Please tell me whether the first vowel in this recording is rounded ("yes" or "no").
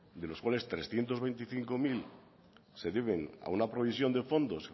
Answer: no